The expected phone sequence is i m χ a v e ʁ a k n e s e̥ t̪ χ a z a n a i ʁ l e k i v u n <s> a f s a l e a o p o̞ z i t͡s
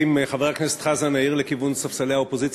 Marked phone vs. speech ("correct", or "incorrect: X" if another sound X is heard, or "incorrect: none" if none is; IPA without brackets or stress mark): correct